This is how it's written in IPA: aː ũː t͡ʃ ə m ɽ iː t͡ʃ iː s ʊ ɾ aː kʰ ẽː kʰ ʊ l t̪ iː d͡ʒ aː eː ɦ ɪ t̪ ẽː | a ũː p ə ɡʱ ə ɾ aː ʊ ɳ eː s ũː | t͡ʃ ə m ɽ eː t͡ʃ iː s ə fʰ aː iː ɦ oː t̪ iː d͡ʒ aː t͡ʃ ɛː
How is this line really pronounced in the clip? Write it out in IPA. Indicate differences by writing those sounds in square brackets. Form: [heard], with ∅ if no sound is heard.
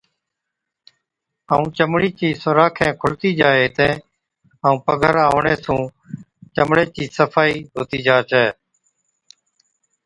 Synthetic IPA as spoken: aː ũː t͡ʃ ə m ɽ iː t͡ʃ iː s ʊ ɾ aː kʰ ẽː kʰ ʊ l t̪ iː d͡ʒ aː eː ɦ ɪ t̪ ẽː | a ũː p ə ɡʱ ə ɾ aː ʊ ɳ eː s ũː | t͡ʃ ə m ɽ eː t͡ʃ iː s ə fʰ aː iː ɦ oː t̪ iː d͡ʒ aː t͡ʃ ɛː